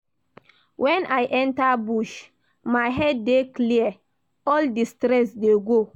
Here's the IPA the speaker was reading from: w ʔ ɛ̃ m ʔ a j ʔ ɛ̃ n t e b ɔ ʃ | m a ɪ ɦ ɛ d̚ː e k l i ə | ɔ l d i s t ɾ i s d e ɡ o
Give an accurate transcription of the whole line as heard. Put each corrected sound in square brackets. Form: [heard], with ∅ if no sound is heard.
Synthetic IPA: w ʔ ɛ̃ [n] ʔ a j ʔ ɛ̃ n t [a] b [u] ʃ | m a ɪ ɦ ɛ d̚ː e k l i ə | ɔ l d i s t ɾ [ɛ] s d e ɡ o